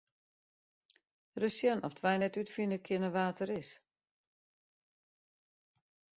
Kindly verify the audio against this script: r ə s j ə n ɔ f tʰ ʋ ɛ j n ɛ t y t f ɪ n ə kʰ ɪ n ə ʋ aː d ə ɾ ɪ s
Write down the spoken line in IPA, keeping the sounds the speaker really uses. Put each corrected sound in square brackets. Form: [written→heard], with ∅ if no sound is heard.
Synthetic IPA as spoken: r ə s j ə n ɔ f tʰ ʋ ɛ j n ɛ t y t f [ɪ→i] n ə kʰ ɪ n ə ʋ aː [d→t] ə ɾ ɪ s